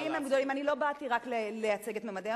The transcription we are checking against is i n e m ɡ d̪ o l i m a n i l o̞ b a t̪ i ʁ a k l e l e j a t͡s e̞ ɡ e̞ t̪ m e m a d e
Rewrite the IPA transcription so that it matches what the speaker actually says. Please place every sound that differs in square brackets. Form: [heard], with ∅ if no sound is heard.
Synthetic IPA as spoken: i [m] e m ɡ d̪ o l i m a n i l o̞ b a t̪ i ʁ a k l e l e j a t͡s e̞ ɡ e̞ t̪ m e m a d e